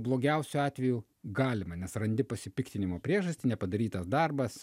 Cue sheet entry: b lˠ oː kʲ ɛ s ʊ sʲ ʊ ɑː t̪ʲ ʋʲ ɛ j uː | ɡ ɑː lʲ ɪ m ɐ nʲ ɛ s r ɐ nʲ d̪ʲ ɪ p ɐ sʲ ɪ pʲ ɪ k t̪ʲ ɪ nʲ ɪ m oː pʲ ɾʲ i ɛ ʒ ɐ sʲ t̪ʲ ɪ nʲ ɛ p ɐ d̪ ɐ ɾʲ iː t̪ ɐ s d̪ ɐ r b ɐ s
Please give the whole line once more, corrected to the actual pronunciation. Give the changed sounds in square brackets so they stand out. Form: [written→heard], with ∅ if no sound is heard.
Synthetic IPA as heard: b lˠ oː [kʲ→ɡʲ] ɛ [s→∅] ʊ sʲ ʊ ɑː t̪ʲ ʋʲ ɛ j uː | ɡ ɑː lʲ ɪ m ɐ nʲ ɛ s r ɐ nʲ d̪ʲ ɪ p ɐ sʲ ɪ pʲ ɪ k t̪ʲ ɪ nʲ ɪ m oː pʲ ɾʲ i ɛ ʒ ɐ sʲ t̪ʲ ɪ nʲ ɛ p ɐ d̪ ɐ ɾʲ iː t̪ ɐ s d̪ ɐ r b ɐ s